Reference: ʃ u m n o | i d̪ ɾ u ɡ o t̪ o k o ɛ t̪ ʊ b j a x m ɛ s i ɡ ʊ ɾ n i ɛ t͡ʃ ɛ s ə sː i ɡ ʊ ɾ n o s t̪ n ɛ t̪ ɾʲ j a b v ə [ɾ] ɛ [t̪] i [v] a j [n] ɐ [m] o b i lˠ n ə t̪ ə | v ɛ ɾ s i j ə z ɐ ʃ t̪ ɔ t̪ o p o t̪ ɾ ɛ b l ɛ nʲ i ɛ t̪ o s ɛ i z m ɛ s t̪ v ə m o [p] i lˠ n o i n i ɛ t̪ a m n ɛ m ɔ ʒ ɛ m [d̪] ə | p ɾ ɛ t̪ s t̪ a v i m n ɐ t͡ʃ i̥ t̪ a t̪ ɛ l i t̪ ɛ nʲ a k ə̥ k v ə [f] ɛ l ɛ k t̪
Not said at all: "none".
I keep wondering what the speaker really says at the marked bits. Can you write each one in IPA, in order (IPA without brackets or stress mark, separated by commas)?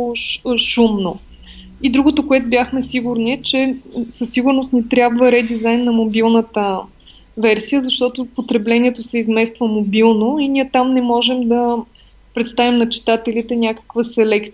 ɾ, d̪, z, nː, m, b, d̪, s